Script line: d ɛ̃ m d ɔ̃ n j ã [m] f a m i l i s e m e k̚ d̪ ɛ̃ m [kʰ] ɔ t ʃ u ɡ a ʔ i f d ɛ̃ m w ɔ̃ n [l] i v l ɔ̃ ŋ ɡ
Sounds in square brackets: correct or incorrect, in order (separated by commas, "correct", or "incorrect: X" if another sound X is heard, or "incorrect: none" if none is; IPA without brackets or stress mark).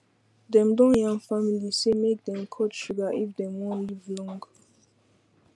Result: incorrect: ŋ, correct, correct